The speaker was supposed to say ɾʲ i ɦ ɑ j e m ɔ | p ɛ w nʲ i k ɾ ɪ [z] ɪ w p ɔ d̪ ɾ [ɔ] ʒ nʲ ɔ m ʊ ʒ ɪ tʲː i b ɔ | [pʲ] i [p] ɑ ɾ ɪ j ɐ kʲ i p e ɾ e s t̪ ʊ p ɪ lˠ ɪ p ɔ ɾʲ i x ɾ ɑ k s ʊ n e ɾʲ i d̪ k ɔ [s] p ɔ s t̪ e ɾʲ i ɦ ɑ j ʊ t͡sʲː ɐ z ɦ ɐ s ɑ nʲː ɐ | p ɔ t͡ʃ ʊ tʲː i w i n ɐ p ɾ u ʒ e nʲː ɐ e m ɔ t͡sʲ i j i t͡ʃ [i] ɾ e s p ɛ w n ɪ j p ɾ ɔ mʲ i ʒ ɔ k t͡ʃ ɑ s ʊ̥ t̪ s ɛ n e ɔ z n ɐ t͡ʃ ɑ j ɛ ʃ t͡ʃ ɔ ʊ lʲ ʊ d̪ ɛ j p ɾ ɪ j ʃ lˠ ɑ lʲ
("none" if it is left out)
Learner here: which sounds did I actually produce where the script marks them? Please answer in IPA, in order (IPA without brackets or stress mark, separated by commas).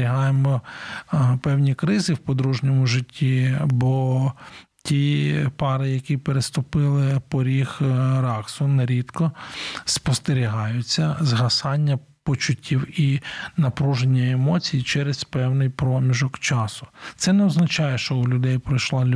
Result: z, u, tʲ, p, s, ɛ